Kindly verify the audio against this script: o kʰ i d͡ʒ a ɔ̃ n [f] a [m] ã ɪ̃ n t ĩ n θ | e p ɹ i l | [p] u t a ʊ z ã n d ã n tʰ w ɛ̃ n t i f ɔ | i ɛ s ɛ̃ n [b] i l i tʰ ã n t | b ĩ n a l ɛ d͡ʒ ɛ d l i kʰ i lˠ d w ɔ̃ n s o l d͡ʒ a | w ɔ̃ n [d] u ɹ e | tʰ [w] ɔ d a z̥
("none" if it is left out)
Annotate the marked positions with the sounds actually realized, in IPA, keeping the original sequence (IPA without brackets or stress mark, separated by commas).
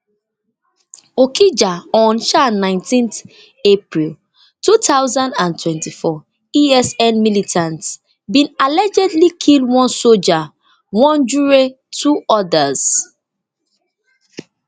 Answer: ʃ, n, t, m, d͡ʒ, u